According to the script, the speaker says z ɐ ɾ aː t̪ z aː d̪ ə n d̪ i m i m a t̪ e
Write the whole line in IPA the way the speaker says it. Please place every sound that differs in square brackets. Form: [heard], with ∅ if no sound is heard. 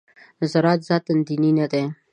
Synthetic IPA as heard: z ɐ ɾ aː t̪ z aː [t̪] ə n d̪ i [n] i [n] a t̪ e